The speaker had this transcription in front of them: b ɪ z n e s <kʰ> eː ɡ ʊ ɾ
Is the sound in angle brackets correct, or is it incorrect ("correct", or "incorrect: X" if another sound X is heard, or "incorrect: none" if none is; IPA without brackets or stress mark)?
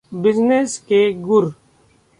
incorrect: k